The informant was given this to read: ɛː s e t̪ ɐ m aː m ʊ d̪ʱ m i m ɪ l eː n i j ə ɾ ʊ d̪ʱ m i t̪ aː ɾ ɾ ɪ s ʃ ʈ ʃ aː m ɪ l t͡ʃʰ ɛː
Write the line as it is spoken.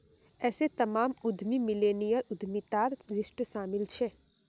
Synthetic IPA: ɛː s e t̪ ɐ m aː m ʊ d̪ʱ m i m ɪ l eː n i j ə ɾ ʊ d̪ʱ m i t̪ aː ɾ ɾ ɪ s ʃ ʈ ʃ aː m ɪ l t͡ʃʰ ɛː